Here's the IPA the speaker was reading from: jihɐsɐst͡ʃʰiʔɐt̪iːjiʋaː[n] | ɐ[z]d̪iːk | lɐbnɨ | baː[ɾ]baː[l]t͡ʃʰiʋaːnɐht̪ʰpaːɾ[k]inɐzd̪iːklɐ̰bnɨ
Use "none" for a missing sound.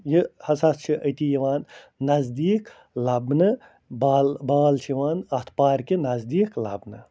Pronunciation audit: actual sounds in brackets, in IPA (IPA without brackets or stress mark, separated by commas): nː, z, l, l, k